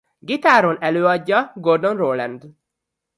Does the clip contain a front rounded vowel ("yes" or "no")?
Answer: yes